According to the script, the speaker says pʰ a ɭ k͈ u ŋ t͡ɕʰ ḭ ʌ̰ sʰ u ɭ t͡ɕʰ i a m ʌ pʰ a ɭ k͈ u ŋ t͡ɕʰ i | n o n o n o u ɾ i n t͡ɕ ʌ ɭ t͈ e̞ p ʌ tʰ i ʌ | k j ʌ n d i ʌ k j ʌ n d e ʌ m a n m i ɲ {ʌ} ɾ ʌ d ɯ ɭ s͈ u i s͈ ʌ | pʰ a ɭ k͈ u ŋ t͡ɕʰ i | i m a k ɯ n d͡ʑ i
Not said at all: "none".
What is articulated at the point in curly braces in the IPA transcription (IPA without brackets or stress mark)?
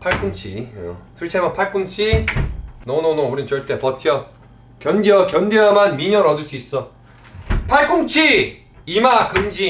ʌ